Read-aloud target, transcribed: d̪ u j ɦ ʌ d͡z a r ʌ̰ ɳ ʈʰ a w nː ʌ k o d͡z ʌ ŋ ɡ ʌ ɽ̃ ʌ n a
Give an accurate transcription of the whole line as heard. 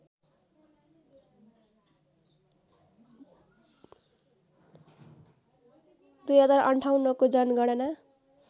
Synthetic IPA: d̪ u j ɦ ʌ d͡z a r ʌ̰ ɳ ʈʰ a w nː ʌ k o d͡z ʌ n ɡ ʌ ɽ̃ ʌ n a